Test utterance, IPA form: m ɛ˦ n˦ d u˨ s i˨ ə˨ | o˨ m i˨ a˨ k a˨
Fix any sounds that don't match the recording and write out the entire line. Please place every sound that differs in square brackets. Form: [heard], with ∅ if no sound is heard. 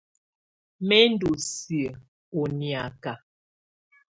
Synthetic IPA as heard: m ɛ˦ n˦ d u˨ s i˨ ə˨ | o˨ [n] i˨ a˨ k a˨